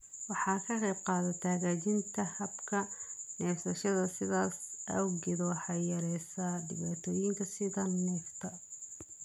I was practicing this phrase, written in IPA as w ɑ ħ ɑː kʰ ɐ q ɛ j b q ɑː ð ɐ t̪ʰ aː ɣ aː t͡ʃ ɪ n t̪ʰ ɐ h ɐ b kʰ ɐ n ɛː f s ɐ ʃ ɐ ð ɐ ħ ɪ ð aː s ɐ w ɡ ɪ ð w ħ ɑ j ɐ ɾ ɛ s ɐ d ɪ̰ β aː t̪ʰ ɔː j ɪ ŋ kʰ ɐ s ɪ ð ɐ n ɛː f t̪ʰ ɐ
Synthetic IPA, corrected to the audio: w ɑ ħ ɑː kʰ ɐ q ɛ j b q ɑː ð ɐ t̪ʰ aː ɣ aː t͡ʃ ɪ n t̪ʰ ɐ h ɐ b kʰ ɐ n ɛː f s ɐ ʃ ɐ ð ɐ s ɪ ð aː s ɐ w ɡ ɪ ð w ħ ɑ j ɐ ɾ ɛ s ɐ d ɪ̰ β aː t̪ʰ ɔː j ɪ ŋ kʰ ɐ s ɪ ð ɐ n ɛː f t̪ʰ ɐ